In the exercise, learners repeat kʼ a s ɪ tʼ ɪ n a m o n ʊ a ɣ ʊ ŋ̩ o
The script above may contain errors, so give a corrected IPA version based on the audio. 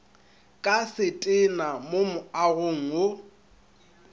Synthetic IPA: kʼ a s ɪ tʼ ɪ n a m o m ʊ a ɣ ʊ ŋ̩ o